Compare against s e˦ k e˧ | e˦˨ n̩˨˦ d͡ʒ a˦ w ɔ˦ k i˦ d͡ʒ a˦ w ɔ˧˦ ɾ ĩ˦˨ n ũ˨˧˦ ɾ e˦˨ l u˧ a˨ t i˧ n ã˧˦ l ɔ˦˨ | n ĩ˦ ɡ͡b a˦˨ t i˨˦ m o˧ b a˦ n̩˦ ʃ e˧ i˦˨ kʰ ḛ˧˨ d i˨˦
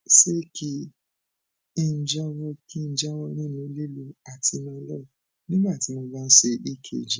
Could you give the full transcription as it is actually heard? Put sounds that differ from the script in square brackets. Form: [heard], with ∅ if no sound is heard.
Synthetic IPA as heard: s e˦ k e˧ | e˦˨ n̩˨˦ d͡ʒ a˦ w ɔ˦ k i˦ d͡ʒ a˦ w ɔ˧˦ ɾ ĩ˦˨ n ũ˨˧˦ [l] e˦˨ l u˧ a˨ t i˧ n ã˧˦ l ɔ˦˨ | n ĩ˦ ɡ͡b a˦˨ t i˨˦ m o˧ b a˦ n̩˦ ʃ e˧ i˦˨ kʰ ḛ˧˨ [d͡ʒ] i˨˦